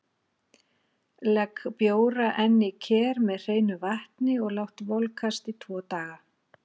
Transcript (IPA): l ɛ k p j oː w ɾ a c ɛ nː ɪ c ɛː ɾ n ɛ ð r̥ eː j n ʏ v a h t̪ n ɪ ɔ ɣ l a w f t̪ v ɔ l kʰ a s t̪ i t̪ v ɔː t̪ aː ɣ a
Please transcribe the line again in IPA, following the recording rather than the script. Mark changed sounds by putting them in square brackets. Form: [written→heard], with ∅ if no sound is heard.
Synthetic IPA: l ɛ k p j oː w ɾ a [c→ʔ] ɛ nː ɪ [c→cʰ] ɛː ɾ [n→m] ɛ ð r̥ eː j n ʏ v a h t̪ n ɪ ɔ ɣ l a w [f→h] t̪ v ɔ l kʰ a s t̪ i [t̪→t̪ʰ] v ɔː t̪ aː ɣ a